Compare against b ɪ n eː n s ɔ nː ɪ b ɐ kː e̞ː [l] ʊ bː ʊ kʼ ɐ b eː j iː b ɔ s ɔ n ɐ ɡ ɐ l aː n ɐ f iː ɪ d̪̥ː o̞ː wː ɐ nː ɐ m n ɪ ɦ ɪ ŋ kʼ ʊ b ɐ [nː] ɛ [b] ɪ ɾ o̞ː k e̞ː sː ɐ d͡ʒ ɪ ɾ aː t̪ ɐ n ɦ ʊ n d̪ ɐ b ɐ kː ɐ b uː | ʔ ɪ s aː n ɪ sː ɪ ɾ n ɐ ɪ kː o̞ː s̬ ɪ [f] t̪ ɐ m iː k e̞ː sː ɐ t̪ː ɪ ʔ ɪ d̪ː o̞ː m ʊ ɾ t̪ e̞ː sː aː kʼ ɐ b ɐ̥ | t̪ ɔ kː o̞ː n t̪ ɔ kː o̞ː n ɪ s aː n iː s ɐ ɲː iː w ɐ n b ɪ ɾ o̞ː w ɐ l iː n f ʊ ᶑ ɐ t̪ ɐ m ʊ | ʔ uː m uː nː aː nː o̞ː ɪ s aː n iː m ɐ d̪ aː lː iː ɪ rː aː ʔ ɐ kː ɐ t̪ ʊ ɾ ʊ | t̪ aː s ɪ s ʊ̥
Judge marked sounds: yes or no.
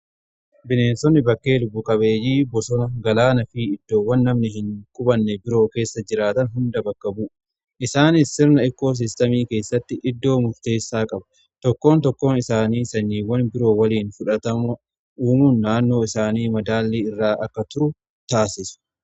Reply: yes, yes, yes, no

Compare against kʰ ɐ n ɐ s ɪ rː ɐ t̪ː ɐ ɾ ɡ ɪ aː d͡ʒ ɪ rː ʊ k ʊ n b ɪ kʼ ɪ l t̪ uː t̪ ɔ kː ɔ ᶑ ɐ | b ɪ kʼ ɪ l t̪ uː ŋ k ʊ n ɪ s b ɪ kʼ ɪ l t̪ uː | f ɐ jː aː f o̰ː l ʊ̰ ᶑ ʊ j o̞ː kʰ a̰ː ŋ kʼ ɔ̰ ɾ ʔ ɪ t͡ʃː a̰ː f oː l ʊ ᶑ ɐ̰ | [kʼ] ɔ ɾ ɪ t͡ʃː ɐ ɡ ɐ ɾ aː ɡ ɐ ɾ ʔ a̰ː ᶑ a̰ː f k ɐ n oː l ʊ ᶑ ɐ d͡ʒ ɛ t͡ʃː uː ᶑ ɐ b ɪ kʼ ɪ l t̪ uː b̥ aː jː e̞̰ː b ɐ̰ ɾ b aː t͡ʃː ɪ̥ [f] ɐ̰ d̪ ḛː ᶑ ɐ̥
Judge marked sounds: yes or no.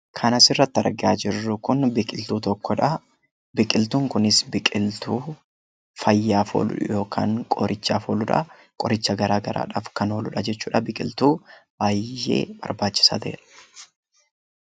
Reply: yes, no

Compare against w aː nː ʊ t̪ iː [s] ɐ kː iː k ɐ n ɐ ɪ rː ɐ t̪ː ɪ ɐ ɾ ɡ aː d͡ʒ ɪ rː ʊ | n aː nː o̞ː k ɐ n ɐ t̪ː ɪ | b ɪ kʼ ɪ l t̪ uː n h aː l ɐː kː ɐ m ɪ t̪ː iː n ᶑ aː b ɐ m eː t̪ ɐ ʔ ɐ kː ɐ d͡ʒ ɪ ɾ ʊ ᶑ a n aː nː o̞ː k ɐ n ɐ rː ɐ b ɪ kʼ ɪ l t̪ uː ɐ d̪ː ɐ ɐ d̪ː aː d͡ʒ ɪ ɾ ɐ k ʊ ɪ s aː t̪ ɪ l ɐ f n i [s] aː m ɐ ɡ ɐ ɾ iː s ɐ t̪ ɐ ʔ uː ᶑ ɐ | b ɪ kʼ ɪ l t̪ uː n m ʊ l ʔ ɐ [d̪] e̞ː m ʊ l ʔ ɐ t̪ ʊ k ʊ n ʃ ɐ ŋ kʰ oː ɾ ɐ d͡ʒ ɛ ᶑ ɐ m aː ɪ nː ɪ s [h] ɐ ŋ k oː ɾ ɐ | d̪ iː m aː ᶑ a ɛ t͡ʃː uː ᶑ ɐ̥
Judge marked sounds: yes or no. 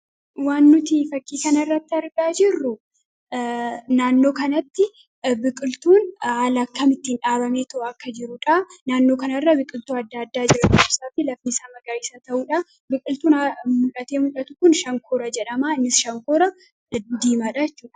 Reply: no, yes, no, no

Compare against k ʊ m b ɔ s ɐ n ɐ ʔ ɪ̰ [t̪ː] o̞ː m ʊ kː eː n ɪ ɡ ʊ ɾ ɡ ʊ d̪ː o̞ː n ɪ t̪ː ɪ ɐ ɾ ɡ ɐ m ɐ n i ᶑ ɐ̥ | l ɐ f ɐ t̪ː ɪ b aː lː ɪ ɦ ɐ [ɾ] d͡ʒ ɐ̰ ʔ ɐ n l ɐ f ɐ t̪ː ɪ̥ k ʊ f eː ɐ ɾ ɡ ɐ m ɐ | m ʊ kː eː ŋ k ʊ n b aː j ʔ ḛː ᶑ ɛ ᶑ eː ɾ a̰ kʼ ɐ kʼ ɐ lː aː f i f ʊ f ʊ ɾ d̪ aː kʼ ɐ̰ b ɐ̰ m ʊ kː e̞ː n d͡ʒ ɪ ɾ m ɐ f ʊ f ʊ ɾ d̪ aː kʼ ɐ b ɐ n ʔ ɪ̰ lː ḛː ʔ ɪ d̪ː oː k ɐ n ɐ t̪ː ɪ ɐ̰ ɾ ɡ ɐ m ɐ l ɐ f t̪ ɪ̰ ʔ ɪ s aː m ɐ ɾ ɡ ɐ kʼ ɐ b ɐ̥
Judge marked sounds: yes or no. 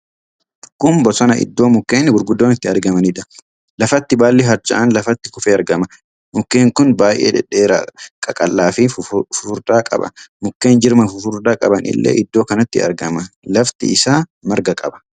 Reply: no, yes

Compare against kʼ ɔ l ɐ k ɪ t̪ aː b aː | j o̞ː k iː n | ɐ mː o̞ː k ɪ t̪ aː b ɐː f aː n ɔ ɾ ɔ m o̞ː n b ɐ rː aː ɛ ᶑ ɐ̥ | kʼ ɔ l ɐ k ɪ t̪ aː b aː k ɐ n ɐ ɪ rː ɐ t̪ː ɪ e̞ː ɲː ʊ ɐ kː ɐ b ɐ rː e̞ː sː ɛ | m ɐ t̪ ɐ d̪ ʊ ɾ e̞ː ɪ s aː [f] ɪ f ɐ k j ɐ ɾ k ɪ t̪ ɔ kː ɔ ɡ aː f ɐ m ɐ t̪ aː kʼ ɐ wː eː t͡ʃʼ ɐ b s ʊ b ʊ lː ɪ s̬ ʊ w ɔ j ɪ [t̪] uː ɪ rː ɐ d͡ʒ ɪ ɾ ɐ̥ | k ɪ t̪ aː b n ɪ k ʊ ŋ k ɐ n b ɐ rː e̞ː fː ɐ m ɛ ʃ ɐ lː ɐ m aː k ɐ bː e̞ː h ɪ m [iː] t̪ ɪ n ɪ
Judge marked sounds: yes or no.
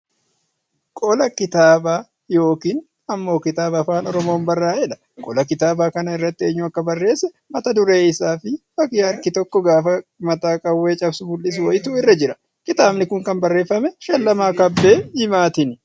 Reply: yes, yes, no

